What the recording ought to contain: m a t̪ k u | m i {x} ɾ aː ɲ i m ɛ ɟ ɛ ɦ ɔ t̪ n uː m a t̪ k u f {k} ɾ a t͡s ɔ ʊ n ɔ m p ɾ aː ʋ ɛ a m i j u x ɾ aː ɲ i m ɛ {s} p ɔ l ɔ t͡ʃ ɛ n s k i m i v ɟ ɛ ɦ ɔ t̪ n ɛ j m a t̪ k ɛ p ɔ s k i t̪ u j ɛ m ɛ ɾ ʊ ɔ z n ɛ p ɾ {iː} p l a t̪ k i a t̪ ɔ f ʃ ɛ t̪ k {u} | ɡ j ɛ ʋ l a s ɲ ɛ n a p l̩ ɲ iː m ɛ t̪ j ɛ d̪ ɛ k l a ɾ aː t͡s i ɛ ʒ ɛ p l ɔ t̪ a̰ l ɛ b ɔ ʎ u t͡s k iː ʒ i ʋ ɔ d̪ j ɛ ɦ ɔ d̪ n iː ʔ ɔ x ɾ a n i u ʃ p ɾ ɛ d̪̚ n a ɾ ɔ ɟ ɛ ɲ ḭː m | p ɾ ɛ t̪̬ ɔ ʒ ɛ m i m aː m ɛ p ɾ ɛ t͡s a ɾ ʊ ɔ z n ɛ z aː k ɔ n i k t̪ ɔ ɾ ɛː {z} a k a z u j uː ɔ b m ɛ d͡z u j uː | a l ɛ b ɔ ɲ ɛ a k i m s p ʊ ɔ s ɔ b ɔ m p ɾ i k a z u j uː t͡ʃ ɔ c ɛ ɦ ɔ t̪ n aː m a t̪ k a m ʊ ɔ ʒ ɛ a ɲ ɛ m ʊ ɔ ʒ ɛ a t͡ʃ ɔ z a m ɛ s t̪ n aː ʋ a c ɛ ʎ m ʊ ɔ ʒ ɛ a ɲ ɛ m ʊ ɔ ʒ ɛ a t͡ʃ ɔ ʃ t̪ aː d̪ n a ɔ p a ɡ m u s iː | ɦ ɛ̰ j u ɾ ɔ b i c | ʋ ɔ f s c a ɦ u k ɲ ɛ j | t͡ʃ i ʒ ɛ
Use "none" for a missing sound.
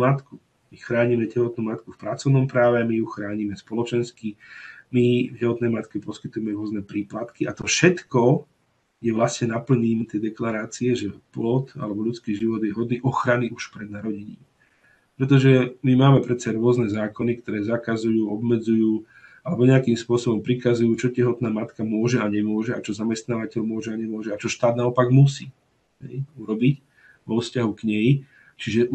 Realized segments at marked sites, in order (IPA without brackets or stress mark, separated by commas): x, p, s, iː, ɔ, z